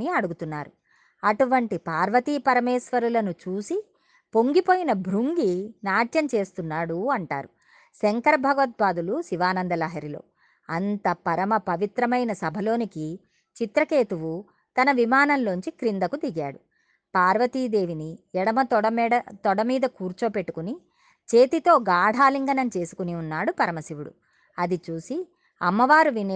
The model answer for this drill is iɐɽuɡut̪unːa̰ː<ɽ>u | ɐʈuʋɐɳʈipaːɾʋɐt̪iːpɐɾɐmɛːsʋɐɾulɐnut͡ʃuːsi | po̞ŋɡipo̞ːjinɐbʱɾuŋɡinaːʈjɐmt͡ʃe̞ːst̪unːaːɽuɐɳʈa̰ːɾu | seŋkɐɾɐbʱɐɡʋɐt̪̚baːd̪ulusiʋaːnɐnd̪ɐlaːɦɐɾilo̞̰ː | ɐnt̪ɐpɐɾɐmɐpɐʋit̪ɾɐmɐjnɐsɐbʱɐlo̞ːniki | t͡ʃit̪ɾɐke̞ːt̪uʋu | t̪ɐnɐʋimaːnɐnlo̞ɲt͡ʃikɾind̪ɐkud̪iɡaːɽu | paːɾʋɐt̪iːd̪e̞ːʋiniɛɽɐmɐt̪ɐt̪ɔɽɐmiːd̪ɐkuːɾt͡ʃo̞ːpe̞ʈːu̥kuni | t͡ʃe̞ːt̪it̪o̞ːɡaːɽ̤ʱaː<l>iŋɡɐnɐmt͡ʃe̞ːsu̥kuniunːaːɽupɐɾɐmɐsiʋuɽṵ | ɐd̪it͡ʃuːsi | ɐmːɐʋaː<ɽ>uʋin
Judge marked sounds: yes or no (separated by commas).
no, yes, no